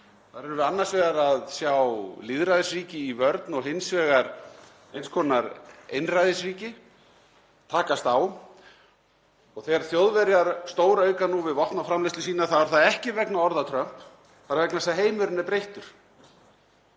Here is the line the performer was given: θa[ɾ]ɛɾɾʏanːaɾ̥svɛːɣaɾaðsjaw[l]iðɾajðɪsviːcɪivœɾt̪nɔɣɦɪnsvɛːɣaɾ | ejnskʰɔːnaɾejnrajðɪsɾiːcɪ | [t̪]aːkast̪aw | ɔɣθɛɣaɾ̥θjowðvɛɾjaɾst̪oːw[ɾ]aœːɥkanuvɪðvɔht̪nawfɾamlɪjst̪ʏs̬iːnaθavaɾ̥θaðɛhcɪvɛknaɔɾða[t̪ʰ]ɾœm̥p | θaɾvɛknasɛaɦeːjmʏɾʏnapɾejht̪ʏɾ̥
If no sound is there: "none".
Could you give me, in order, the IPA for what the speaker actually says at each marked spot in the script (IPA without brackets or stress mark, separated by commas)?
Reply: ɾ, l, t̪ʰ, ɾ, t̪ʰ